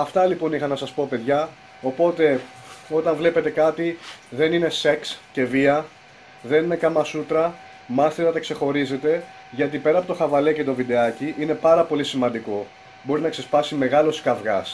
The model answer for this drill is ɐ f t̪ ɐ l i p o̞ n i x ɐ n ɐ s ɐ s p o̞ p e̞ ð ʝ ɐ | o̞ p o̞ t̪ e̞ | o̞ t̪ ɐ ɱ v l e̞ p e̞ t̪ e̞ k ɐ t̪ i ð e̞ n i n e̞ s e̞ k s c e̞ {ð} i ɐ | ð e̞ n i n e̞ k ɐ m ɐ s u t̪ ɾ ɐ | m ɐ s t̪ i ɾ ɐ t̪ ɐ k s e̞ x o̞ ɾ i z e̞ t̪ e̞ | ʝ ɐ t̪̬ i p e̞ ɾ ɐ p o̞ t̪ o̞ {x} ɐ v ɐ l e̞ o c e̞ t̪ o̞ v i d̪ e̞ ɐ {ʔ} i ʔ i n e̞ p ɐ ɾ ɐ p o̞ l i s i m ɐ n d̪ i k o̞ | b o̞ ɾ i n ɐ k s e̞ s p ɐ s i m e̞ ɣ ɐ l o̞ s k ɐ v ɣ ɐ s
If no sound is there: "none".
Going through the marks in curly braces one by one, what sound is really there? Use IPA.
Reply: v, x, c

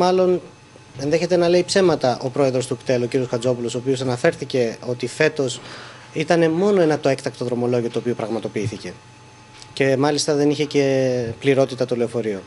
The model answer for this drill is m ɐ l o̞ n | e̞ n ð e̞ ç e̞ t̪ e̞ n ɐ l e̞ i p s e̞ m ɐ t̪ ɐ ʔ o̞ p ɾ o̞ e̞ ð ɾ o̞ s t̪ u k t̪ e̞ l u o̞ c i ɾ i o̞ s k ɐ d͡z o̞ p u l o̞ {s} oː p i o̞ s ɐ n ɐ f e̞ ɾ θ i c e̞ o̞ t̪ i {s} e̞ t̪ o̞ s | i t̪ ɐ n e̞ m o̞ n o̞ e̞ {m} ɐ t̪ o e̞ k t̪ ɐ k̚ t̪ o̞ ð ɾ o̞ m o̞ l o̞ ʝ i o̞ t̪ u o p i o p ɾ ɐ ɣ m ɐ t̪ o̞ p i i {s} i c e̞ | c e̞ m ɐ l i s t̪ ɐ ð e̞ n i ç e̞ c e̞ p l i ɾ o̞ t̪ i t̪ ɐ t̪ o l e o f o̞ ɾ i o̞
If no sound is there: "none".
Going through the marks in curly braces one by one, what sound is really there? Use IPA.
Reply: s, f, n, θ

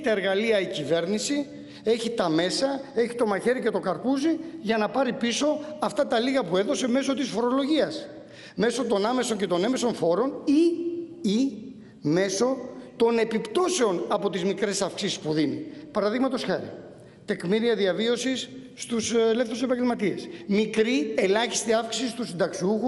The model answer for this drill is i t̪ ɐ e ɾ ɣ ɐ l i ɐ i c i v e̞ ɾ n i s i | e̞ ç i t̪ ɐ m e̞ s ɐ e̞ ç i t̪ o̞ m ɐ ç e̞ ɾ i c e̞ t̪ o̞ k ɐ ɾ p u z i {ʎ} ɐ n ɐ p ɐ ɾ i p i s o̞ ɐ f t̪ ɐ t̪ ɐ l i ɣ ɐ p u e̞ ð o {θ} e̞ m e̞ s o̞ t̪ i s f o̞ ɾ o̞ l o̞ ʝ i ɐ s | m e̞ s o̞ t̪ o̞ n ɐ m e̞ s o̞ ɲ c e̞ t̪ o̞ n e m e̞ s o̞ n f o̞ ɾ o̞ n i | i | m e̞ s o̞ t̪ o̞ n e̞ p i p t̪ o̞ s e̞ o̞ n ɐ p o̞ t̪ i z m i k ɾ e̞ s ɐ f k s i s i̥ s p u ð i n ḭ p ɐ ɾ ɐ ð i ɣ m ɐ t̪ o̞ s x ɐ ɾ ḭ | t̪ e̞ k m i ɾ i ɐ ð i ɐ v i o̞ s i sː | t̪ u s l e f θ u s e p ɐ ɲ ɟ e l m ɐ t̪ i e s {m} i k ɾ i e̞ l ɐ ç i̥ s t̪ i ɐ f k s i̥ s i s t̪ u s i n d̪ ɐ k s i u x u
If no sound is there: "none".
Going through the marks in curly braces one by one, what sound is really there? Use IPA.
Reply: ʝ, s, m

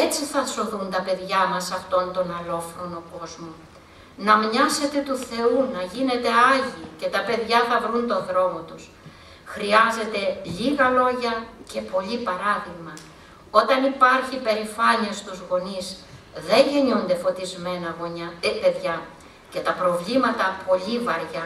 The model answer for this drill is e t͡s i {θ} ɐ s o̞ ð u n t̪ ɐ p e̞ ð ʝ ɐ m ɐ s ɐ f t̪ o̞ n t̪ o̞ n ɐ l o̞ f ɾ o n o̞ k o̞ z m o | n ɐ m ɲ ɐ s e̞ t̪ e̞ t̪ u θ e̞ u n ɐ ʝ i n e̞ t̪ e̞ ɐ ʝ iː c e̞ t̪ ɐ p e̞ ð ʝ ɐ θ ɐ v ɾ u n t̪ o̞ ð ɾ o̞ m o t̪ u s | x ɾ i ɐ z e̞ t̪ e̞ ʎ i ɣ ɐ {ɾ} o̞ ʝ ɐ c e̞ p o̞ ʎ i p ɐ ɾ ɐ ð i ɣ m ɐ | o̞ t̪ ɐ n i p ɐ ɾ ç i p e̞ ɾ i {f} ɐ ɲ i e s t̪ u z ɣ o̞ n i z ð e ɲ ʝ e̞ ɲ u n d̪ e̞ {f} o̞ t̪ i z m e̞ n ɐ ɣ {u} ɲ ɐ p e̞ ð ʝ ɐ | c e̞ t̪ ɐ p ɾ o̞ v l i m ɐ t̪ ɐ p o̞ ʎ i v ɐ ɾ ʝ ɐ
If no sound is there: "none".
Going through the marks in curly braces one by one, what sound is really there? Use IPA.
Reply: θ, l, f, f, o

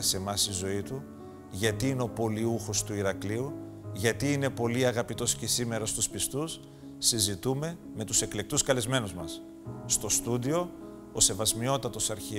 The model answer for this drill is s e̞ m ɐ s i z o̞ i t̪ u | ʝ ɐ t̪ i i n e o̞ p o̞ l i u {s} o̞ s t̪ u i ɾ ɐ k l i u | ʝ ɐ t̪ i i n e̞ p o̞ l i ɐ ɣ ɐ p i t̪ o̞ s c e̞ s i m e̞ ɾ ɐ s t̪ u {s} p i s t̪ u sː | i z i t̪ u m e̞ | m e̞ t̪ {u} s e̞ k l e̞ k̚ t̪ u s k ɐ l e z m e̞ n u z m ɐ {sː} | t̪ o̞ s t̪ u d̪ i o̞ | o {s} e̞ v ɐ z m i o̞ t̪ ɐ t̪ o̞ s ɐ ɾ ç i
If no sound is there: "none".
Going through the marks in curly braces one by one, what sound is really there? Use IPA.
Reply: x, s, u, sː, s

